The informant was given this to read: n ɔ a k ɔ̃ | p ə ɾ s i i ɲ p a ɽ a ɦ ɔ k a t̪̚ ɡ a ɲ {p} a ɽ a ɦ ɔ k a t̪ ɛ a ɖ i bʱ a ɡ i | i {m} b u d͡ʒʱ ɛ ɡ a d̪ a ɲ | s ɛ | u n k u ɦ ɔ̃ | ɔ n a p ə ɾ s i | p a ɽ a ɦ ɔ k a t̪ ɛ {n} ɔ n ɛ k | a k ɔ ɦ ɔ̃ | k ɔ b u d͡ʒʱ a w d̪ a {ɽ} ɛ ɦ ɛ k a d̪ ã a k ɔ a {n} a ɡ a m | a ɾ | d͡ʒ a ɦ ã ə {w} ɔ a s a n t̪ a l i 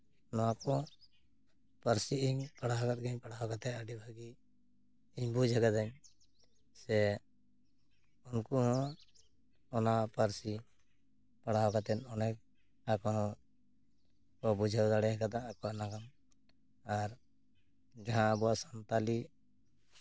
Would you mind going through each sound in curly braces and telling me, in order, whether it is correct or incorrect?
correct, incorrect: ɲ, correct, correct, correct, incorrect: b

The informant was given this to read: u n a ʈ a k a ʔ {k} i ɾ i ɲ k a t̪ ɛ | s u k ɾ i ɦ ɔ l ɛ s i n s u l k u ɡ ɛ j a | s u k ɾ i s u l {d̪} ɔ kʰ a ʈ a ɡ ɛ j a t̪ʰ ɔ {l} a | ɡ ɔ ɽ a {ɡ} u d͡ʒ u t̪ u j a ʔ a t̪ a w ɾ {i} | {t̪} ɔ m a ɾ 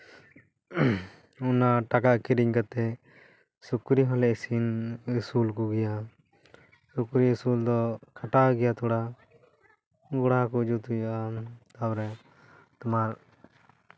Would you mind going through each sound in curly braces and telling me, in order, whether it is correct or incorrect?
correct, correct, incorrect: ɽ, incorrect: k, incorrect: ɛ, correct

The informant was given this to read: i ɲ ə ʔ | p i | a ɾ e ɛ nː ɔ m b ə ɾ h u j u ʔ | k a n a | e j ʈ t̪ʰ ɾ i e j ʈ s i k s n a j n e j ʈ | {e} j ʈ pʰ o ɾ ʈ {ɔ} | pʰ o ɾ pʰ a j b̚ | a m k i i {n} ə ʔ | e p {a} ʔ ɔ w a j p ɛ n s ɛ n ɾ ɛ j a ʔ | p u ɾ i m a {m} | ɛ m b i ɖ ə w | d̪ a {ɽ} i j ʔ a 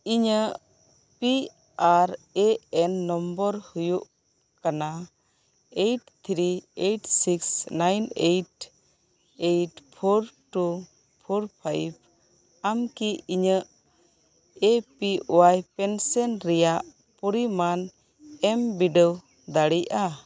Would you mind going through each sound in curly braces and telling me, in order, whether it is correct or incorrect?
correct, incorrect: u, incorrect: ɲ, incorrect: i, incorrect: n, correct

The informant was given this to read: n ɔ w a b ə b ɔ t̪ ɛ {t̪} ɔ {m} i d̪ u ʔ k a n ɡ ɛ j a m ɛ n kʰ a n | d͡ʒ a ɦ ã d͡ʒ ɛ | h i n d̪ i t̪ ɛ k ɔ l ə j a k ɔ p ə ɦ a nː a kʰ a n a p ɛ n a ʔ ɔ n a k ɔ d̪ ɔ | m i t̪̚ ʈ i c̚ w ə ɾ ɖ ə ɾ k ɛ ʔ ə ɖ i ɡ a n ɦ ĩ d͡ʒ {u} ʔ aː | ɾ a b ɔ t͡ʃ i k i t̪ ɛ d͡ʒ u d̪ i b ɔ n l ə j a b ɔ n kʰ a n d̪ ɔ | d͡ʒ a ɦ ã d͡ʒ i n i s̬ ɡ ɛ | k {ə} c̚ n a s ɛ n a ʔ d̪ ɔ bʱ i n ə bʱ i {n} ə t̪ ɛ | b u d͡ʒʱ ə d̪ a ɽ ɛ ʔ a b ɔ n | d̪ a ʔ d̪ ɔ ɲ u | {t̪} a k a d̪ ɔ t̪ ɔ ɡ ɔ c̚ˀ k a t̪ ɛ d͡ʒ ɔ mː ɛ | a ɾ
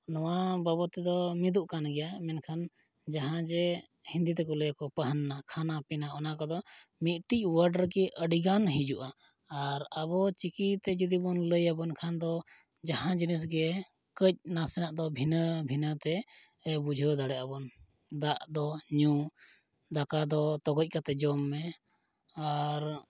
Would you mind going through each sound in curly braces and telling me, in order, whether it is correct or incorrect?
incorrect: d̪, correct, correct, correct, correct, incorrect: d̪

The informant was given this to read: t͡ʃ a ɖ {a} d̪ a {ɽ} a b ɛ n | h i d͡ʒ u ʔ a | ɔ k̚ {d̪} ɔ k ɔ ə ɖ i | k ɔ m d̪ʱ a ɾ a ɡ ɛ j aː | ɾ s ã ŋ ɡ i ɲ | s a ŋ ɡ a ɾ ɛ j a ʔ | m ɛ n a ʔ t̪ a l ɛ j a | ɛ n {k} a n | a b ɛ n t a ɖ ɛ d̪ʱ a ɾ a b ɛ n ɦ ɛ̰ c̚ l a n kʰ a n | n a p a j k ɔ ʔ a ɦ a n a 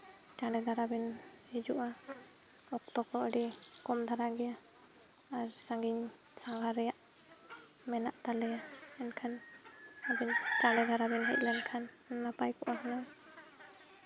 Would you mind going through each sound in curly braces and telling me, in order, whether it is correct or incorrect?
incorrect: ɛ, incorrect: ɾ, incorrect: t̪, incorrect: kʰ

